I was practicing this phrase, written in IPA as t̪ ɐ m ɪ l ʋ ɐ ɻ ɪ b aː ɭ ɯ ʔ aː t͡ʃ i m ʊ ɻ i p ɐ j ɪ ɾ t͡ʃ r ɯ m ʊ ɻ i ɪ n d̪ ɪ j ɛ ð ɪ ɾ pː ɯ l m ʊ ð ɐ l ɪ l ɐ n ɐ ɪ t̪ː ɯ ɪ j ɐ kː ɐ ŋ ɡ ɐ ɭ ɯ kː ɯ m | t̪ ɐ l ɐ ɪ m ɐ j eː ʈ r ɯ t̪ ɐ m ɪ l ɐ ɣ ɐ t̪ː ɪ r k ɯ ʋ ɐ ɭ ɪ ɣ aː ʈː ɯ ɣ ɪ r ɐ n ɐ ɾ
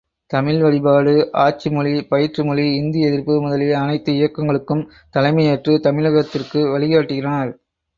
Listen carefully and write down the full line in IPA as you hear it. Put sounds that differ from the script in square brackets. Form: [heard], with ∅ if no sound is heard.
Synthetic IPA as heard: t̪ ɐ m ɪ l ʋ ɐ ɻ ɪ b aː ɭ ɯ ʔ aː t͡ʃ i m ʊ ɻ i p ɐ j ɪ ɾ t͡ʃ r ɯ m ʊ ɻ i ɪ n d̪ ɪ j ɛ ð ɪ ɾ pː ɯ [∅] m ʊ ð ɐ l ɪ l ɐ n ɐ ɪ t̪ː ɯ ɪ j ɐ kː ɐ ŋ ɡ ɐ ɭ ɯ kː ɯ m | t̪ ɐ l ɐ ɪ m ɐ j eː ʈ r ɯ t̪ ɐ m ɪ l ɐ ɣ ɐ t̪ː ɪ r k ɯ ʋ ɐ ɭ ɪ ɣ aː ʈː ɯ ɣ ɪ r ɐ n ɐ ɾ